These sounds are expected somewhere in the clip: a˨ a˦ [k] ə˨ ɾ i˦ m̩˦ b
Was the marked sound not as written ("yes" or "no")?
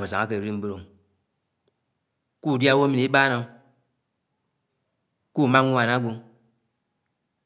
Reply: no